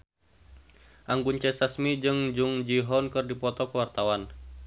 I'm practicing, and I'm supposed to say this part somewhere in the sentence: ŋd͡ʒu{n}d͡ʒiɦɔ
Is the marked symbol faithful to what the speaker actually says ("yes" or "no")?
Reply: no